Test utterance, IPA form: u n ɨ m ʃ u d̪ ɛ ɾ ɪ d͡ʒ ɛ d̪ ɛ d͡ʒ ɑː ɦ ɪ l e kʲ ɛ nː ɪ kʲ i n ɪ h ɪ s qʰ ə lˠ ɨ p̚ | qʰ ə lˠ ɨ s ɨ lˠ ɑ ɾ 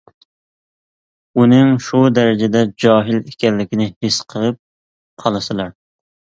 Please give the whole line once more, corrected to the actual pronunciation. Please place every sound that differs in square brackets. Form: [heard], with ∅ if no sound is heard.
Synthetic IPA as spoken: u n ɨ [ŋ] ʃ u d̪ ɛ ɾ ɪ d͡ʒ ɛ d̪ ɛ d͡ʒ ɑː ɦ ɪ l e kʲ ɛ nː ɪ kʲ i n ɪ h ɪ s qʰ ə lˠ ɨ p̚ | qʰ [ɑ] lˠ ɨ s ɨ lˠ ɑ ɾ